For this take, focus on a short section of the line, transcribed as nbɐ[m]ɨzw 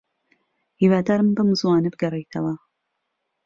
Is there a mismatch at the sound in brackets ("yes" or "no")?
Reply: no